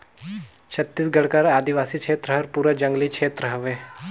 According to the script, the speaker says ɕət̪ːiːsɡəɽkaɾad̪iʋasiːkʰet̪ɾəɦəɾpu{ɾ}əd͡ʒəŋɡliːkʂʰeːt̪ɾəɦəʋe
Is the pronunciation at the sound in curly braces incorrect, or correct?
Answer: correct